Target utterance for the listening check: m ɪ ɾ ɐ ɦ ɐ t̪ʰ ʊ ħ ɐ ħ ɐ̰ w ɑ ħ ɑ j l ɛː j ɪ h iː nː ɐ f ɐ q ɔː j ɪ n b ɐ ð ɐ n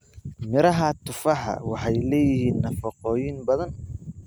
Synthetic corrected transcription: m ɪ ɾ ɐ ɦ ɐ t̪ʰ ʊ f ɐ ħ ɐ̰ w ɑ ħ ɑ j l ɛː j ɪ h iː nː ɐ f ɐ q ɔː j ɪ n b ɐ ð ɐ n